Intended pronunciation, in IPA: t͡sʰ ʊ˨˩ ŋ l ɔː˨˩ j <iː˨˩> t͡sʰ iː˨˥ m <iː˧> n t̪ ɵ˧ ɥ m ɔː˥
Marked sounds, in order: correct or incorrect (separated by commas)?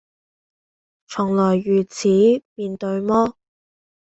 incorrect, correct